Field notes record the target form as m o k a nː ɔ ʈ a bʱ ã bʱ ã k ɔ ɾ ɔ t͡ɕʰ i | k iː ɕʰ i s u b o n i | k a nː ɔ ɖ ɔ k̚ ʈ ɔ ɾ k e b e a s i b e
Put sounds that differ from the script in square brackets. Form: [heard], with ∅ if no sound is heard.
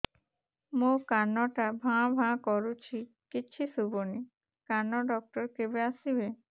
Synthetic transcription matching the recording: m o k a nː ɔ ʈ a bʱ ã bʱ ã k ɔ ɾ [u] t͡ɕʰ i | k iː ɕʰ i s u b o n i | k a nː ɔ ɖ ɔ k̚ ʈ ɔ ɾ k e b e a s i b e